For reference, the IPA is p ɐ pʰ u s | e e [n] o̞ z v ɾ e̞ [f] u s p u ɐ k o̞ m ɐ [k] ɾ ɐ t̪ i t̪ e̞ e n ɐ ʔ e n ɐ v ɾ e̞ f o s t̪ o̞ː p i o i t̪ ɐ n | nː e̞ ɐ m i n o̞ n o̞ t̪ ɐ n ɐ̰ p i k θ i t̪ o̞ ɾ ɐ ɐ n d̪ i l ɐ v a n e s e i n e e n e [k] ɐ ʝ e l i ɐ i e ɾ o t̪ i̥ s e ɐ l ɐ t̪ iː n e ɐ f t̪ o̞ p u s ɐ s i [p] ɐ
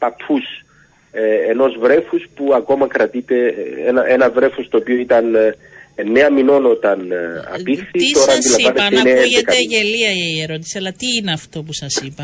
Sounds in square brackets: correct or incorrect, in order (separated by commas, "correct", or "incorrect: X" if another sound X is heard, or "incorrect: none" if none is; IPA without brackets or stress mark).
correct, correct, correct, correct, correct